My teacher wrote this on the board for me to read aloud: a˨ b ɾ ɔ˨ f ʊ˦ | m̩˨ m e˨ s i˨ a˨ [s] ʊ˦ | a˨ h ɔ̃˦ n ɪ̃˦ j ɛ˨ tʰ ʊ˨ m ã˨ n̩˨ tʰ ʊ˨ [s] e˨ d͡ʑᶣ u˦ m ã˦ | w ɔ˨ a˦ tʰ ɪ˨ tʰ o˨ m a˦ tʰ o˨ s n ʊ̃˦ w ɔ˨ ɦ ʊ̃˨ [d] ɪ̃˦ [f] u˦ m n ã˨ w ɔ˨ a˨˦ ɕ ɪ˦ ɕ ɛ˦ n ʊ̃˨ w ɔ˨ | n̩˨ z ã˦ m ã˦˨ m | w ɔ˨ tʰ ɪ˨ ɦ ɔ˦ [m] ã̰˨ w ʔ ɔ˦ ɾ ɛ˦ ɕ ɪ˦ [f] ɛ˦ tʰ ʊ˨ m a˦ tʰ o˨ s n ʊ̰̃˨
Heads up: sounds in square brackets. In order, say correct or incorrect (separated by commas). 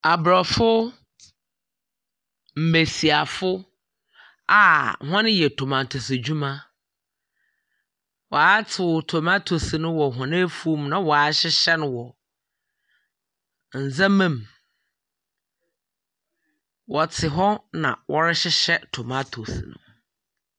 incorrect, correct, incorrect, correct, incorrect, incorrect